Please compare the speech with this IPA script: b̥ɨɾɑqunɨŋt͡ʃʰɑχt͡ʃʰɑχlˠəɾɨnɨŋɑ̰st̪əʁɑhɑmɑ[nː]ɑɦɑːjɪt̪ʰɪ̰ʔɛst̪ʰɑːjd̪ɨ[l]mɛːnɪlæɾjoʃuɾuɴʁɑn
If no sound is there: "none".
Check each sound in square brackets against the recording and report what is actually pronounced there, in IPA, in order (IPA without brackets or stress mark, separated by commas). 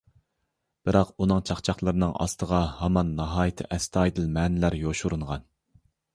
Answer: nː, l